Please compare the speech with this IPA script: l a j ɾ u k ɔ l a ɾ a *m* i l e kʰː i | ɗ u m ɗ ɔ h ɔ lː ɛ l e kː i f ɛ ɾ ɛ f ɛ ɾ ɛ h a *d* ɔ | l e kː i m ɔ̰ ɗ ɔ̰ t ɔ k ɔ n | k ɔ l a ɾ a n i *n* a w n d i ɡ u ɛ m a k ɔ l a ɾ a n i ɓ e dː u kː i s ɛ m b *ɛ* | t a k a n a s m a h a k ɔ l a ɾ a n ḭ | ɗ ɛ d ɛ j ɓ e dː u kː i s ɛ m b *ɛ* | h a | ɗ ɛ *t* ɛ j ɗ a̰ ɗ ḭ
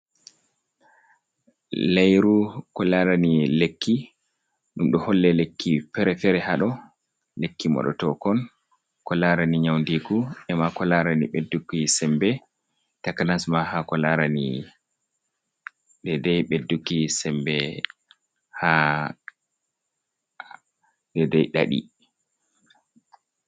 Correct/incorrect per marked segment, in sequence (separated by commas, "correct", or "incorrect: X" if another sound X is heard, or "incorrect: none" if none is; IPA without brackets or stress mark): incorrect: n, incorrect: ɗ, incorrect: ɲ, correct, correct, incorrect: d